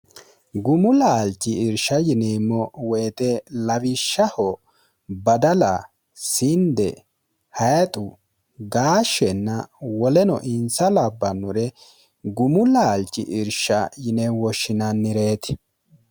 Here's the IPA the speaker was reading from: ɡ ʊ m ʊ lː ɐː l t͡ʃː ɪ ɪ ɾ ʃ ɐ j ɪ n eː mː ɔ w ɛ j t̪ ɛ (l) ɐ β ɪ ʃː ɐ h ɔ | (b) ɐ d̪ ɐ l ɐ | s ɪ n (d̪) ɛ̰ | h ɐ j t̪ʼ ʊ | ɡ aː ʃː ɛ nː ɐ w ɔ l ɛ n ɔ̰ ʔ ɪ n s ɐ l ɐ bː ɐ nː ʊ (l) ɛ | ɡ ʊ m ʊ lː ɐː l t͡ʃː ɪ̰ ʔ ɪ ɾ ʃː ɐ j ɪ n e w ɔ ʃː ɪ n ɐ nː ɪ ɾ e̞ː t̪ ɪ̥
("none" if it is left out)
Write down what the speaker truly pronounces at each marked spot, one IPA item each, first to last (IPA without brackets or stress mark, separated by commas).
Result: l, b, d̪, ɾ